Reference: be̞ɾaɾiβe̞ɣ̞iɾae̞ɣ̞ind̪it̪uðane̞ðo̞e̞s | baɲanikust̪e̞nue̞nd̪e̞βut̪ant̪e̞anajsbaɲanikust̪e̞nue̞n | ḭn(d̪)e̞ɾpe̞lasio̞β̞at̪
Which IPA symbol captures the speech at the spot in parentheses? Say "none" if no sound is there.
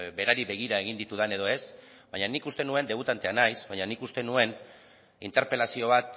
t̪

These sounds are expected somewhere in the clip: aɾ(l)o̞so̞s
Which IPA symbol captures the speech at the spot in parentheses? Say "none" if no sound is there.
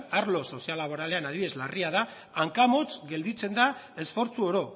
l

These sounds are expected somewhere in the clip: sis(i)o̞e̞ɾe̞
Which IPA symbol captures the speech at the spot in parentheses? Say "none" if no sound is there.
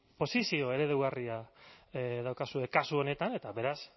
i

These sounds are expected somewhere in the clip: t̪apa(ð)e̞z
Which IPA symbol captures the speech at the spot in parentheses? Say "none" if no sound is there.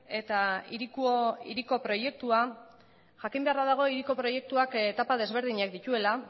ð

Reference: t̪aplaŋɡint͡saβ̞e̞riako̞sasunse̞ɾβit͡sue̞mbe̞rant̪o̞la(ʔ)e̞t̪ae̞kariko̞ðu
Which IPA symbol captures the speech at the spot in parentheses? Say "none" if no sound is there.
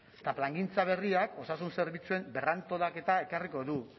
k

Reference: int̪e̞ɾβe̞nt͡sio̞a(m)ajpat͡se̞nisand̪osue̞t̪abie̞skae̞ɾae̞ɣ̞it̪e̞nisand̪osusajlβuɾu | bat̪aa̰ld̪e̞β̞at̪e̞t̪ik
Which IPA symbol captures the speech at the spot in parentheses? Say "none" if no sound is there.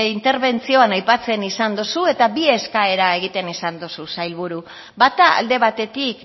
n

